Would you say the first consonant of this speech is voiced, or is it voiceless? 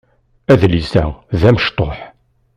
voiced